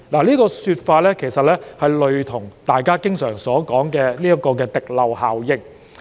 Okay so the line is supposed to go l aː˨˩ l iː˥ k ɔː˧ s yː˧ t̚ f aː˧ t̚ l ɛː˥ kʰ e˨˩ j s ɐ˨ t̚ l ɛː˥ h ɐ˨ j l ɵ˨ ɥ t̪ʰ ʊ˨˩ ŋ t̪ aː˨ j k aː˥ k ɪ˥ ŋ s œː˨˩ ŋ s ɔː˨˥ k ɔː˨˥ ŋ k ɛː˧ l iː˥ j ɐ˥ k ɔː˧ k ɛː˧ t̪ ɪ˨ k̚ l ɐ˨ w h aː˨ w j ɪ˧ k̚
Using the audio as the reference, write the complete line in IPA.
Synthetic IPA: l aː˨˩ l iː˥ k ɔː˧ s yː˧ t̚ f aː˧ t̚ l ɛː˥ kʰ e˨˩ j s ɐ˨ t̚ l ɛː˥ h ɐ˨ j l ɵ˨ ɥ t̪ʰ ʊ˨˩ ŋ t̪ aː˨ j k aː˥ k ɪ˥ ŋ s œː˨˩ ŋ s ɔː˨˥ k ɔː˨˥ ŋ k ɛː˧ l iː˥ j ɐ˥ k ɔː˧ k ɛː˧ t̪ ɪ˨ k̚ l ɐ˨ w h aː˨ w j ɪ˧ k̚